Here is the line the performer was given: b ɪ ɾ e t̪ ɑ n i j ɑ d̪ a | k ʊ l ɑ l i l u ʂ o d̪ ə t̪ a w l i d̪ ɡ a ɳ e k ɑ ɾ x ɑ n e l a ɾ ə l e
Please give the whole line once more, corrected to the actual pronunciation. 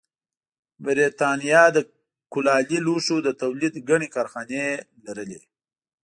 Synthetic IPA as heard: b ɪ ɾ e t̪ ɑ n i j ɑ d̪ ə | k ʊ l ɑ l i l u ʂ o d̪ ə t̪ a w l i d̪ ɡ a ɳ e k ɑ ɾ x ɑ n e l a ɾ ə l e